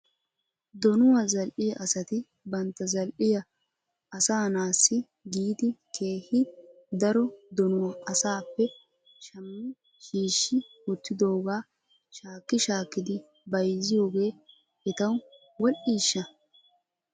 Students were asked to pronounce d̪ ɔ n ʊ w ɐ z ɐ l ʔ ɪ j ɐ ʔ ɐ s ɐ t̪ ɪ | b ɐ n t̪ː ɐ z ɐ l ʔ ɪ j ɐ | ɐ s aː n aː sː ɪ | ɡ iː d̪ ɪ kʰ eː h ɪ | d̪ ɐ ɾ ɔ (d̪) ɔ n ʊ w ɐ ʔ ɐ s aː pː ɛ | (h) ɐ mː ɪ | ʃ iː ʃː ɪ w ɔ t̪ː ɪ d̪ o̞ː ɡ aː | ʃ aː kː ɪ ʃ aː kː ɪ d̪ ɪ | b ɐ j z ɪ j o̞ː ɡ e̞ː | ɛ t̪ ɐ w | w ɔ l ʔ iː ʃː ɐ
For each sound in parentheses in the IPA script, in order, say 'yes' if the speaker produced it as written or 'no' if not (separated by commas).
yes, no